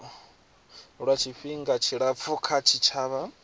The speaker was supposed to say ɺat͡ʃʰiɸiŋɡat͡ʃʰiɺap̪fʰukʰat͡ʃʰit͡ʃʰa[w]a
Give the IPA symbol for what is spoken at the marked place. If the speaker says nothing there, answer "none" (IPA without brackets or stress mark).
β